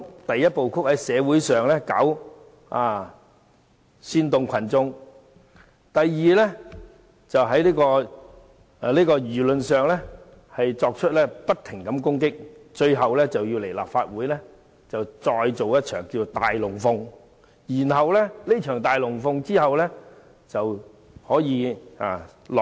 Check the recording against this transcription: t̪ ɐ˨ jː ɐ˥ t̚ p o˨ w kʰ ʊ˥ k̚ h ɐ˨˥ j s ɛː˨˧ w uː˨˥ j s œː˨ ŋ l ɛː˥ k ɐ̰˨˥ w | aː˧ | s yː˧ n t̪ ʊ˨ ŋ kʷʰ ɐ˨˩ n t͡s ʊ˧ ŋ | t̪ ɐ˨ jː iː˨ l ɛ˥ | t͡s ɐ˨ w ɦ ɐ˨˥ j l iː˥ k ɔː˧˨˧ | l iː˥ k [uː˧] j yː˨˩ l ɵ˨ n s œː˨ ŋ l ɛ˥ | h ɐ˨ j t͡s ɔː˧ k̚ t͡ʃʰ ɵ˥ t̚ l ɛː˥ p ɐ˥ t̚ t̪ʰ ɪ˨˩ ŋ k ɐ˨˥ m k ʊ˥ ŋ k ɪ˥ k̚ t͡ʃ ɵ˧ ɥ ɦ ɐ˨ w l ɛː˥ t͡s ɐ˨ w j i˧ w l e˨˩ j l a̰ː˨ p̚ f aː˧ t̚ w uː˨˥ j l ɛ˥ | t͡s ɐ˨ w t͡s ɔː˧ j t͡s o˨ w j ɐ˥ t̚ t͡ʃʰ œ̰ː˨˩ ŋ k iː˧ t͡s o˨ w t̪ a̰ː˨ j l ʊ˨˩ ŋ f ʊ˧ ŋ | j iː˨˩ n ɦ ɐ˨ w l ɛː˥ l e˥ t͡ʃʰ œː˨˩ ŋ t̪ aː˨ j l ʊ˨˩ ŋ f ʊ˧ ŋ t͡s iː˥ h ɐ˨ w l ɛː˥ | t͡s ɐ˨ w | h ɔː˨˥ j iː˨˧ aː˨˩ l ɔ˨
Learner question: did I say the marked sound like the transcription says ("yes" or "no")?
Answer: no